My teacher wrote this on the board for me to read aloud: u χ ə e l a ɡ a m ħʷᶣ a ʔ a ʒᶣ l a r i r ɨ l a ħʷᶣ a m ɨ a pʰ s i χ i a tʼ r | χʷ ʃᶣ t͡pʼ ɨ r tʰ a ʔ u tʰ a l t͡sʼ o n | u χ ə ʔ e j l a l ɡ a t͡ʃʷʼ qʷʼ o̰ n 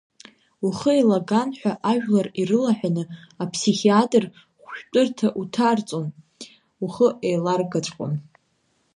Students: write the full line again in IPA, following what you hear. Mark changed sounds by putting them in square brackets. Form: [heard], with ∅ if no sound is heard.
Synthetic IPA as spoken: u χ ə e l a ɡ a [n] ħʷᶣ a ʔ a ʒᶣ l a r i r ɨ l a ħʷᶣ a [n] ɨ a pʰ s i χ i a tʼ r | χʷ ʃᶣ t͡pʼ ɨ r tʰ a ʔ u tʰ a [r] t͡sʼ o n | u χ ə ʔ e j l a [r] ɡ a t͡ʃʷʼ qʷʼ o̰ n